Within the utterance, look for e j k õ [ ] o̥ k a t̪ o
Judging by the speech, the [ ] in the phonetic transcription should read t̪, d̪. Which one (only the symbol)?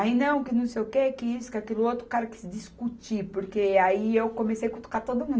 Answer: t̪